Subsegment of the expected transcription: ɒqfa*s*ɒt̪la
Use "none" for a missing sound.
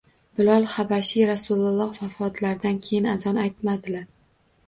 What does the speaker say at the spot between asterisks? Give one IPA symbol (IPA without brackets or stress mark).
f